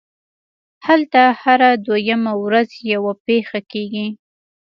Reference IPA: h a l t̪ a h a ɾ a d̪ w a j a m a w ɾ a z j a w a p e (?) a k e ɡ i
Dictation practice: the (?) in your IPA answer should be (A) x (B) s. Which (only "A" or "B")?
A